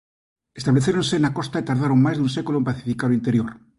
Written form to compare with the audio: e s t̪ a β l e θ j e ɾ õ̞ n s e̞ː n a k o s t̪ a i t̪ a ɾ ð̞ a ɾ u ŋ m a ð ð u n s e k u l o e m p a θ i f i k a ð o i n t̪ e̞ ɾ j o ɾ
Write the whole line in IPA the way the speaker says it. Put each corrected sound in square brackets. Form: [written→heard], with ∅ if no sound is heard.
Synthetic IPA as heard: e s t̪ a β l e θ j e ɾ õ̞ n s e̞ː n a k o s t̪ a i t̪ a ɾ ð̞ a ɾ [u→o] ŋ m a [ð→z] ð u n s e k u l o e m p a θ i f i k a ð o i n t̪ e̞ ɾ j o ɾ